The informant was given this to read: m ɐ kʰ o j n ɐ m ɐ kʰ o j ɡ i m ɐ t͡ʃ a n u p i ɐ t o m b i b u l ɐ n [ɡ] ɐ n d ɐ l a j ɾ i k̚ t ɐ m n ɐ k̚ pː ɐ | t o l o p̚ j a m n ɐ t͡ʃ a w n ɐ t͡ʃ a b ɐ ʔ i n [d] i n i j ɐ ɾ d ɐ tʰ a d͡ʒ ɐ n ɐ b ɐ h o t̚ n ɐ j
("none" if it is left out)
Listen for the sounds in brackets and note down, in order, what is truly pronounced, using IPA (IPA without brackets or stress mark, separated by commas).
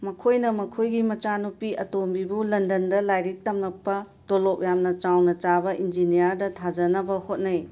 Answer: d, d͡ʒ